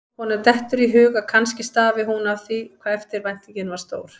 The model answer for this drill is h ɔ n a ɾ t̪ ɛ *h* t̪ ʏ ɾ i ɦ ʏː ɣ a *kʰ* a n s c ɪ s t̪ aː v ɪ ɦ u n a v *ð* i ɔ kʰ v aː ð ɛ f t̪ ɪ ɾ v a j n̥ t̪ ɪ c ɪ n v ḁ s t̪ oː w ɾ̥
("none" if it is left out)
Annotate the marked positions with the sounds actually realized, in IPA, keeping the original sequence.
h, kʰ, θ

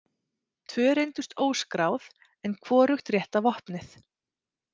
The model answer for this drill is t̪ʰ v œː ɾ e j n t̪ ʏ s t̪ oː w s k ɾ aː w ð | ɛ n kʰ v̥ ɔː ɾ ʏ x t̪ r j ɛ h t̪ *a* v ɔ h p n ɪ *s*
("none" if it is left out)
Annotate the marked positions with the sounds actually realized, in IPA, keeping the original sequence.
a, θ

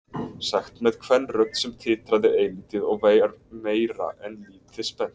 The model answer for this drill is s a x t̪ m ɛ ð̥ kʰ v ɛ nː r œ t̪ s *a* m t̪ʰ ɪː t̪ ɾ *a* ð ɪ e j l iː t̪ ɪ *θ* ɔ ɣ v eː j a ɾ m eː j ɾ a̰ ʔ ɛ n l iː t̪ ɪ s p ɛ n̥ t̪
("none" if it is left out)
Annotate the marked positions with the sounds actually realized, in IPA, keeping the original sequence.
ɛ, a, ð

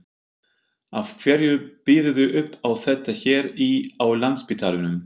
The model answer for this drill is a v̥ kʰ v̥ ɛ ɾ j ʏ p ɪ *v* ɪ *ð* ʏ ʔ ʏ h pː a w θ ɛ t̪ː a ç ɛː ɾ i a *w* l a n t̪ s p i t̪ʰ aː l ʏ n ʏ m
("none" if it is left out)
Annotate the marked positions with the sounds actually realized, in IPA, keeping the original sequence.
ð, ð, w

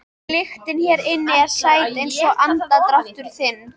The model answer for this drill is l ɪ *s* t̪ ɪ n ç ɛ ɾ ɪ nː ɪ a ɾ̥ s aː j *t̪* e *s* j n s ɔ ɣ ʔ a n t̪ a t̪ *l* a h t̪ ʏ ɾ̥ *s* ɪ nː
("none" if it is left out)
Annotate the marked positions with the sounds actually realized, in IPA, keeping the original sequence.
x, t̪, none, ɾ, θ

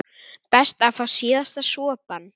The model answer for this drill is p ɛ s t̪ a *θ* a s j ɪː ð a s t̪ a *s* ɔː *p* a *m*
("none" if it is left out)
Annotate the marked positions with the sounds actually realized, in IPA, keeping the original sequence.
f, s, p, n

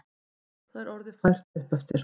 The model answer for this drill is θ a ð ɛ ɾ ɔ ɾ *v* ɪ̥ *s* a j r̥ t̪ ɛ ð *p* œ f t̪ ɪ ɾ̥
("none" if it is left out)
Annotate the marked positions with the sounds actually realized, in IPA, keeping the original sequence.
ð, f, p

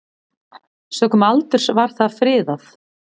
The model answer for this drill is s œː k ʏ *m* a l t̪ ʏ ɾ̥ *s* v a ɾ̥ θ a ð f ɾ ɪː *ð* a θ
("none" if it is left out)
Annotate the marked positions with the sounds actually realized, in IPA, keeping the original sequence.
m, s, ð

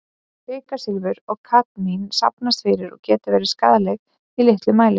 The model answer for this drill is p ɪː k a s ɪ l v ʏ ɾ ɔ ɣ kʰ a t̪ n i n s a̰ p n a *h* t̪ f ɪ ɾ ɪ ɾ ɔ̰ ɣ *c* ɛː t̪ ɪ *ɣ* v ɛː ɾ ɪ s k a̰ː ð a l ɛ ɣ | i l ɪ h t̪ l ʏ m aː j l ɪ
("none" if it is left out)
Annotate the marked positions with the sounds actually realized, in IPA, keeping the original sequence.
s, c, none

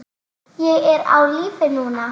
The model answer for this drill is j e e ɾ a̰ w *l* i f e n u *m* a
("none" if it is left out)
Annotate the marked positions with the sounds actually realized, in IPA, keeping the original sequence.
l, n

